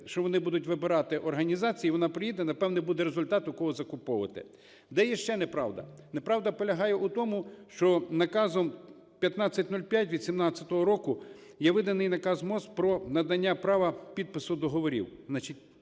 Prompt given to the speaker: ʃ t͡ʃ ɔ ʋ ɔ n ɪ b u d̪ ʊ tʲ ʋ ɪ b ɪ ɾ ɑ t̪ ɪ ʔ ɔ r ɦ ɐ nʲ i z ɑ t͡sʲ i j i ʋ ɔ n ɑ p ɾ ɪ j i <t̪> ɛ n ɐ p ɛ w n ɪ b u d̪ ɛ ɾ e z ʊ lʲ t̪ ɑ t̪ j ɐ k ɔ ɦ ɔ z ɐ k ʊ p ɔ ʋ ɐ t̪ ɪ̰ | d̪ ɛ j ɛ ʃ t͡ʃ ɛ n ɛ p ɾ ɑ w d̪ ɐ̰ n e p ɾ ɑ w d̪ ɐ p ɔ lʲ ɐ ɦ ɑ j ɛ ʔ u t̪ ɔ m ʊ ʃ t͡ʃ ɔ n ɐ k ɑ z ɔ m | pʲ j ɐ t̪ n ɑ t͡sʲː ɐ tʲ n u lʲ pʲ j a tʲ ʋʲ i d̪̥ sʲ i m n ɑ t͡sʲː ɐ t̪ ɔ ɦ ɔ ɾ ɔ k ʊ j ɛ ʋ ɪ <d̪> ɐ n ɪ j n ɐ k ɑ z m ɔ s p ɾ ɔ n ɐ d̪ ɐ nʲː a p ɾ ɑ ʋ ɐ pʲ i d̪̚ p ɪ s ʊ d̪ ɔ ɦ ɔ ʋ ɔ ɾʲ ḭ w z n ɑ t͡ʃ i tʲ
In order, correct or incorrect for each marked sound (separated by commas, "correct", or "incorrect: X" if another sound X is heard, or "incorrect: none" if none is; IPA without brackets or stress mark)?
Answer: incorrect: d̪, correct